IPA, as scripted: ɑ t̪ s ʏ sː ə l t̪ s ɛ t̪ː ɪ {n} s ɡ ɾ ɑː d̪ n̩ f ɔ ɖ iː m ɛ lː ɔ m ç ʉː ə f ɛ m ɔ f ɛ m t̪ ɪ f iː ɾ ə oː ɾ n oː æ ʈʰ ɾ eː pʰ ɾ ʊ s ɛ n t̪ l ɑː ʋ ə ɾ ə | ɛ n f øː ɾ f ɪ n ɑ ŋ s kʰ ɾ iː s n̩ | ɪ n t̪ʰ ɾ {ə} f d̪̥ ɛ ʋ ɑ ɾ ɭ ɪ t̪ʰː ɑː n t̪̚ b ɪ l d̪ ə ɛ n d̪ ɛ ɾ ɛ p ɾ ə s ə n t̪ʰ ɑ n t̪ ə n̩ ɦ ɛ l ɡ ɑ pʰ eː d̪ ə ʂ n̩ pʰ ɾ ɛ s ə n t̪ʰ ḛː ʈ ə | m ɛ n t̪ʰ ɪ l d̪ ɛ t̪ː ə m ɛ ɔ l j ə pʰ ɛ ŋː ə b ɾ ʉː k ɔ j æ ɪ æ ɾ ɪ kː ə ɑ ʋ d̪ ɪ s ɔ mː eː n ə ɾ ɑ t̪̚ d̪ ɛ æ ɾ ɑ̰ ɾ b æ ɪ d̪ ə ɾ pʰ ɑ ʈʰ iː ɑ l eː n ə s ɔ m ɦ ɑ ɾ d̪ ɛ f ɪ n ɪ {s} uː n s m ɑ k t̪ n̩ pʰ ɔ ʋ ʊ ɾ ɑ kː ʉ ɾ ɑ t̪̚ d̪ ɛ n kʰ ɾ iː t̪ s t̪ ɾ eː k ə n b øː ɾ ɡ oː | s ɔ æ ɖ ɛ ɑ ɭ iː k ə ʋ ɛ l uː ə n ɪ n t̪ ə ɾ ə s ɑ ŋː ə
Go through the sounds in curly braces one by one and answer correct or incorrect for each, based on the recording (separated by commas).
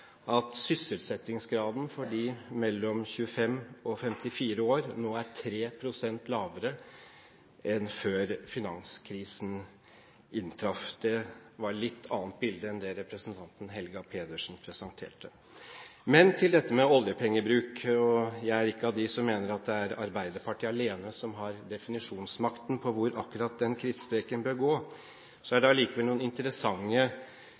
incorrect, incorrect, incorrect